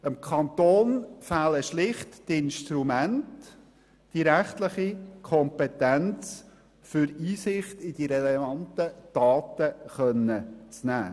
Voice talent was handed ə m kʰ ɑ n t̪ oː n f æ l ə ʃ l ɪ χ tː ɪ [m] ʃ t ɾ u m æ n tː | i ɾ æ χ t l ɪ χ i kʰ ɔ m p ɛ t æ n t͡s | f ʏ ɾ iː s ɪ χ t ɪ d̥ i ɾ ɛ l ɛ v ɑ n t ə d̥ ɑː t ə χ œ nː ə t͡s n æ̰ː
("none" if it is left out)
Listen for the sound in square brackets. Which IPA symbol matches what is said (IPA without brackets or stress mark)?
n